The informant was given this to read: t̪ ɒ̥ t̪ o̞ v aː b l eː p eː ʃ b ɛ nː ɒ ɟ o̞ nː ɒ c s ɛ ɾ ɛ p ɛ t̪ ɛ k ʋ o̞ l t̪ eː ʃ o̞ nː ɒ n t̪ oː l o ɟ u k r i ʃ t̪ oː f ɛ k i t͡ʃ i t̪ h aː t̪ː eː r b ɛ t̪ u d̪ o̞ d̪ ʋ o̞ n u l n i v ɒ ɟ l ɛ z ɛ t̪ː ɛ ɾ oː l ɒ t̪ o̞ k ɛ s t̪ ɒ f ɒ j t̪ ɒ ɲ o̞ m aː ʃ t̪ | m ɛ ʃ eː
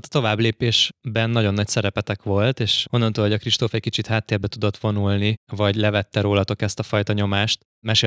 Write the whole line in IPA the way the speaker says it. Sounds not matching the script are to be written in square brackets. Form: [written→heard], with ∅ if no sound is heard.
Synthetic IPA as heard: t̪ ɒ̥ t̪ o̞ v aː b l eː p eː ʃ b ɛ nː ɒ ɟ o̞ nː ɒ c s ɛ ɾ ɛ p ɛ t̪ ɛ k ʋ o̞ l t̪ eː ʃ o̞ nː ɒ n t̪ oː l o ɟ [u→ɒ] k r i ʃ t̪ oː f ɛ k i t͡ʃ i t̪ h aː t̪ː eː r b ɛ t̪ u d̪ o̞ [d̪→t̪] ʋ o̞ n u l n i v ɒ ɟ l ɛ [z→v] ɛ t̪ː ɛ ɾ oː l ɒ t̪ o̞ k ɛ s t̪ ɒ f ɒ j t̪ ɒ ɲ o̞ m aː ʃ t̪ | m ɛ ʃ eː